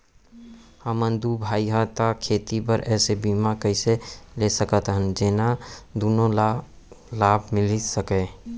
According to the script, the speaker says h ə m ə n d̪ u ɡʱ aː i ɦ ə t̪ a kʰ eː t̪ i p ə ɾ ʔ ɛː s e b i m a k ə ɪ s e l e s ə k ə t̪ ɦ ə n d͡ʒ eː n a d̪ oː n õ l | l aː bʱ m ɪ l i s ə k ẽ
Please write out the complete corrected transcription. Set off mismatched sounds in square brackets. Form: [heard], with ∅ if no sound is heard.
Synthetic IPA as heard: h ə m ə n d̪ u [bʱ] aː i ɦ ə t̪ a kʰ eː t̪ i p ə ɾ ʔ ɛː s e b i m a k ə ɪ s e l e s ə k ə t̪ ɦ ə n d͡ʒ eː n a d̪ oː n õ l | l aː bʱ m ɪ l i s ə k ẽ

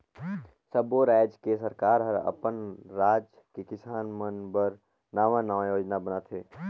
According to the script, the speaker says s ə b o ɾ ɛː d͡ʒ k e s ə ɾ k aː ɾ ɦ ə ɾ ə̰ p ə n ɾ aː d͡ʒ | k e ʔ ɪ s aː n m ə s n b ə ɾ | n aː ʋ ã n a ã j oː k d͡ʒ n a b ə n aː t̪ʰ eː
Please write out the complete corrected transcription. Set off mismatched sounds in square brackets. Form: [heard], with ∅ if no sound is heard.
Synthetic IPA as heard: s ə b o ɾ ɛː d͡ʒ k e s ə ɾ k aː ɾ ɦ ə ɾ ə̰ p ə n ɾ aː d͡ʒ | k e [k] ɪ s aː n m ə [∅] n b ə ɾ | n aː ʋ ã n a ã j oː [∅] d͡ʒ n a b ə n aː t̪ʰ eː

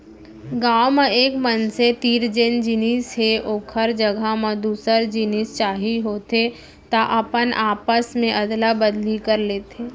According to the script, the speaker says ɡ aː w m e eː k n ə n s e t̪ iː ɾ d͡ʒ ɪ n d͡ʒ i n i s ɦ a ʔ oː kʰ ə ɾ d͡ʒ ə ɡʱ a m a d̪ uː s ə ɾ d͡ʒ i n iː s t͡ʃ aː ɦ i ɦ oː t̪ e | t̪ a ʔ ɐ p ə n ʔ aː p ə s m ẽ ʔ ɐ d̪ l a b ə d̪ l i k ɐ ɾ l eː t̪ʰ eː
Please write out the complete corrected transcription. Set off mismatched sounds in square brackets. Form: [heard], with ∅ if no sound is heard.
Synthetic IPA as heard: ɡ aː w m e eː k [m] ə n s e t̪ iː ɾ d͡ʒ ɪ n d͡ʒ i n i s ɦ [e] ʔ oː kʰ ə ɾ d͡ʒ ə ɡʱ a m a d̪ uː s ə ɾ d͡ʒ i n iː s t͡ʃ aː ɦ i ɦ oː t̪ e | t̪ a ʔ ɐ p ə n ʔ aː p ə s m ẽ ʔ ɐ d̪ l a b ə d̪ l i k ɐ ɾ l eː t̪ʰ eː

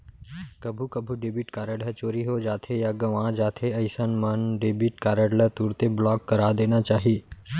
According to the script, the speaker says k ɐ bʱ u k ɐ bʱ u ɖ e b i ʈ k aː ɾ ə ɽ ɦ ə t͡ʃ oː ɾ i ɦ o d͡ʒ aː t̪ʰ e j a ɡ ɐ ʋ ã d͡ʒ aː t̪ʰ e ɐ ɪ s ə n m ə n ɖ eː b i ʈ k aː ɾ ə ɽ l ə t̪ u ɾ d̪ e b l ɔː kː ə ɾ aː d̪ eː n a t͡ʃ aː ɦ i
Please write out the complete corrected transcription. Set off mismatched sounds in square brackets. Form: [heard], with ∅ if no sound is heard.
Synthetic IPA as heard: k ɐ bʱ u k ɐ bʱ u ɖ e b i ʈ k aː ɾ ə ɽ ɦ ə t͡ʃ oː ɾ i ɦ o d͡ʒ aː t̪ʰ e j a ɡ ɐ ʋ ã d͡ʒ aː t̪ʰ e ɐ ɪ s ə n m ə n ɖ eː b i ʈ k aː ɾ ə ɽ l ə t̪ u ɾ [t̪] e b l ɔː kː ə ɾ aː d̪ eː n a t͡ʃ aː ɦ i

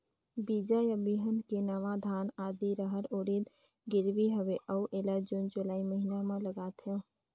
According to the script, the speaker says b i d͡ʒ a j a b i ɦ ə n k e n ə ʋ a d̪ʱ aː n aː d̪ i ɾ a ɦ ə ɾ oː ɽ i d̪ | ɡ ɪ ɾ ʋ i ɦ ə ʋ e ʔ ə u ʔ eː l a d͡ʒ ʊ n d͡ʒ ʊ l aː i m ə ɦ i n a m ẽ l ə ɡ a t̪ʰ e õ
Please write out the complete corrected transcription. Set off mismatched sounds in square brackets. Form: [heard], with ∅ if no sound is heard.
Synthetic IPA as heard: b i d͡ʒ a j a b i ɦ ə n k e n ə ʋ a d̪ʱ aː n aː d̪ i ɾ [ə] ɦ ə ɾ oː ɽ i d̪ | ɡ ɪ ɾ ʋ i ɦ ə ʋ e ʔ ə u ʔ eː l a d͡ʒ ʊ n d͡ʒ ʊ l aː i m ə ɦ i n a m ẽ l ə ɡ a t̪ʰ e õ

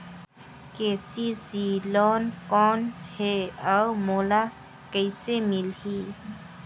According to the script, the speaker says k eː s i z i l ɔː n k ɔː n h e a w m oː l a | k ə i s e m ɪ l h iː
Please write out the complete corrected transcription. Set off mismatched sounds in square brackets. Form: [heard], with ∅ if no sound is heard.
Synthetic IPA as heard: k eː s i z i l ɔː n k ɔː n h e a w m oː l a | k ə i s e m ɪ l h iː

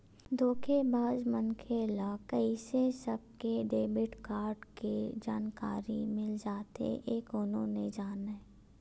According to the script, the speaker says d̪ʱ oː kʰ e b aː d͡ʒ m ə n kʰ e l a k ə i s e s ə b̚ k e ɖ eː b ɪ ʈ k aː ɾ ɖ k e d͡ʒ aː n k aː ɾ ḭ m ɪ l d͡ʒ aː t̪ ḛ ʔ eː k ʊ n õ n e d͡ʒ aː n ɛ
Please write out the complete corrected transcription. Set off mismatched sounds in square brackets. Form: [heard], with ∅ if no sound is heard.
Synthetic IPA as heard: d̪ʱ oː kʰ e b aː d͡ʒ m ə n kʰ e l a k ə i s e s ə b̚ k e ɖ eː b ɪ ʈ k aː ɾ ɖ k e d͡ʒ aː n k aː ɾ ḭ m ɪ l d͡ʒ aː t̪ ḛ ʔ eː k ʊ n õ n e d͡ʒ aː n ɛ

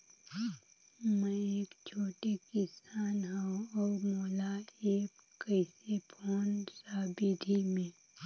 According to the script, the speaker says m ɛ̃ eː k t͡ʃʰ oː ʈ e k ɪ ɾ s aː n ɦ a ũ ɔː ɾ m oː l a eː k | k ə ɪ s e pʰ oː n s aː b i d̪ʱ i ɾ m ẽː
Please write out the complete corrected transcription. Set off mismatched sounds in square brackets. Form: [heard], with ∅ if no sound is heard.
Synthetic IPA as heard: m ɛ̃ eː k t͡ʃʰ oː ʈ e k ɪ [∅] s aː n ɦ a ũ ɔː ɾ m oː l a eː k | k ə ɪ s e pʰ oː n s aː b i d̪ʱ i [∅] m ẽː

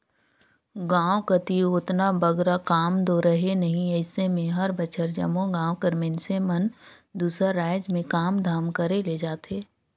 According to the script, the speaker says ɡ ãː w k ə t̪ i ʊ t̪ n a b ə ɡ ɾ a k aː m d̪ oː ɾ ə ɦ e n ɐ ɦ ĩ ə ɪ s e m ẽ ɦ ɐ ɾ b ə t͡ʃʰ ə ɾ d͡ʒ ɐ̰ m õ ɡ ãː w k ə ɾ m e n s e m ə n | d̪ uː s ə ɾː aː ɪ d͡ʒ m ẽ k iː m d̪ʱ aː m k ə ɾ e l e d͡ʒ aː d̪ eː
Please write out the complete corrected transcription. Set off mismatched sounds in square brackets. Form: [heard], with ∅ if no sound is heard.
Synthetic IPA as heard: ɡ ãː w k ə t̪ i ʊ t̪ n a b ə ɡ ɾ a k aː m d̪ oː ɾ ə ɦ e n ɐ ɦ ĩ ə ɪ s e m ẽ ɦ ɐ ɾ b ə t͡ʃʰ ə ɾ d͡ʒ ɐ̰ m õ ɡ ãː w k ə ɾ m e n s e m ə n | d̪ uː s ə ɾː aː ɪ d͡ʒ m ẽ k [aː] m d̪ʱ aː m k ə ɾ e l e d͡ʒ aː [t̪] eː

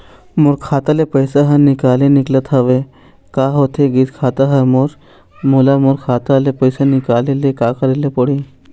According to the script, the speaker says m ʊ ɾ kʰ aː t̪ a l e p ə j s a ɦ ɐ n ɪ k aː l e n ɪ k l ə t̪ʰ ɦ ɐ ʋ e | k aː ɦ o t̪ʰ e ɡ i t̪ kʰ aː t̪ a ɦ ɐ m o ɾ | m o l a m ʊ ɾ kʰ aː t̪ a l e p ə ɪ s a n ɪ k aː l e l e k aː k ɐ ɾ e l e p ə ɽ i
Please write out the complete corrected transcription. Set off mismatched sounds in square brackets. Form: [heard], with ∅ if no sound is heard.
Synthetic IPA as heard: m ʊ ɾ kʰ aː t̪ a l e p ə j s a ɦ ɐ n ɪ k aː l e n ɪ k l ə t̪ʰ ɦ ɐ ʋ e | k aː ɦ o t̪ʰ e ɡ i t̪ kʰ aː t̪ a ɦ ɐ m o ɾ | m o l a m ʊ ɾ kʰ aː t̪ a l e p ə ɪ s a n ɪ k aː l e l e k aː k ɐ ɾ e l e p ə ɽ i

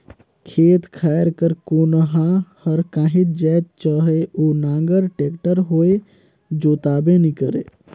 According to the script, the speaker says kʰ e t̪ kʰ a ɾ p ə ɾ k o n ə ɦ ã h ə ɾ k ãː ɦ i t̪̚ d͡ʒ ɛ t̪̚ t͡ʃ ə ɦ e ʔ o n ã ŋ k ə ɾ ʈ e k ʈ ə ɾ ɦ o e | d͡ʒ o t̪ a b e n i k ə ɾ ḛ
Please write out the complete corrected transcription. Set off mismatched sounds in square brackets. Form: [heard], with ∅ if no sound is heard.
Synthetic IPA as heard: kʰ e t̪ kʰ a ɾ [k] ə ɾ k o n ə ɦ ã h ə ɾ k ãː ɦ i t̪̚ d͡ʒ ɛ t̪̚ t͡ʃ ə ɦ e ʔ o n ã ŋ [ɡ] ə ɾ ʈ e k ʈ ə ɾ ɦ o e | d͡ʒ o t̪ a b e n i k ə ɾ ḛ

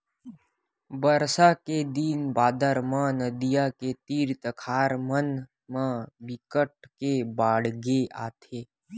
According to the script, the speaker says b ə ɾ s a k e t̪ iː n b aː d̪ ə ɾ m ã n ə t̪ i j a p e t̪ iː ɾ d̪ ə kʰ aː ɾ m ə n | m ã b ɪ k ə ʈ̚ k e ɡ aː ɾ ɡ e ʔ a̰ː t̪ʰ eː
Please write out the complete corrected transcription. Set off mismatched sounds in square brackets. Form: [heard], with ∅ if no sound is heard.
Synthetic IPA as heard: b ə ɾ s a k e [d̪] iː n b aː d̪ ə ɾ m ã n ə [d̪] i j a [k] e t̪ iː ɾ [t̪] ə kʰ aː ɾ m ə n | m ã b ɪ k ə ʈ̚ k e [b] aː [ɽ] ɡ e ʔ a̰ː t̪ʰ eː

